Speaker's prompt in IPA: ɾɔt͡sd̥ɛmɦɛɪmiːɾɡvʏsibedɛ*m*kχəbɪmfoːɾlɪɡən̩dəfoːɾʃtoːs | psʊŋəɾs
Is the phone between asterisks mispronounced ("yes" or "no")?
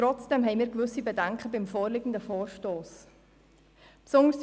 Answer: yes